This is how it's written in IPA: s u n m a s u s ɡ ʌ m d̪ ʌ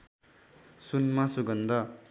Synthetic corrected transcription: s u n m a s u ɡ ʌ n d̪ ʌ